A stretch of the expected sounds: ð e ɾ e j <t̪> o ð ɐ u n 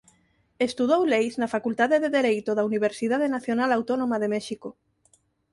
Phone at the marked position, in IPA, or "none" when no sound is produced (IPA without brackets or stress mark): t̪